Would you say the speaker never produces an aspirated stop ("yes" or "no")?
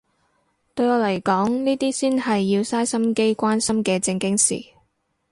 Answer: yes